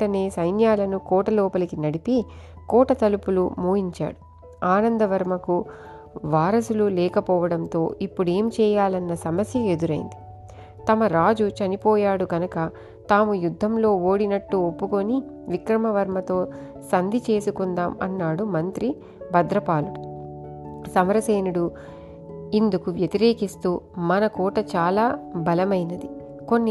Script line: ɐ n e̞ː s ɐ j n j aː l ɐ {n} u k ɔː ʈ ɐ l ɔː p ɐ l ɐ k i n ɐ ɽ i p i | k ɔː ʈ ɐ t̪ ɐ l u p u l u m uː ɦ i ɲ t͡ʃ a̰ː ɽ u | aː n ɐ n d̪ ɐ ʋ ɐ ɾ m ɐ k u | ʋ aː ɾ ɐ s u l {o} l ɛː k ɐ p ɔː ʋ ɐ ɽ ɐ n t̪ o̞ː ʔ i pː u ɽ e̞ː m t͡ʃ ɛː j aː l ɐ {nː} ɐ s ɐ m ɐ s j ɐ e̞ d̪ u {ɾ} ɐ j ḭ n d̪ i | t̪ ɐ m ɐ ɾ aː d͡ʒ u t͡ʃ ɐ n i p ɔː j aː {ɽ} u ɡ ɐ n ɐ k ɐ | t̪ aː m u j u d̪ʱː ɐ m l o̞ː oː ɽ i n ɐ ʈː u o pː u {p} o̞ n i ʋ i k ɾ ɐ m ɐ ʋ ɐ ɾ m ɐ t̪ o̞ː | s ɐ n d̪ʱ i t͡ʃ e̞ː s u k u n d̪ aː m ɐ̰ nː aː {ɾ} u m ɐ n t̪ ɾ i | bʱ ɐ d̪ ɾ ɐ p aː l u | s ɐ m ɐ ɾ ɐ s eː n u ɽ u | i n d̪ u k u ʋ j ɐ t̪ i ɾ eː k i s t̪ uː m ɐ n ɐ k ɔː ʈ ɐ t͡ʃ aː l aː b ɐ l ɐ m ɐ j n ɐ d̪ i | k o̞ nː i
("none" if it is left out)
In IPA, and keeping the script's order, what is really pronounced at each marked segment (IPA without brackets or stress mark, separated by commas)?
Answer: n, u, nː, ɾ, ɽ, k, ɽ